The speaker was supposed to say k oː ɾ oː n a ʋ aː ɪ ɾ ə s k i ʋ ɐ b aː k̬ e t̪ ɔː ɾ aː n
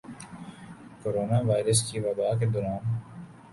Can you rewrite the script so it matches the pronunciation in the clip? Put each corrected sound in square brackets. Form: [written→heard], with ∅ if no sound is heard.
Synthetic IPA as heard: k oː ɾ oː n a ʋ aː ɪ ɾ ə s k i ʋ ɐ b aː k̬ e [t̪→d̪] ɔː ɾ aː n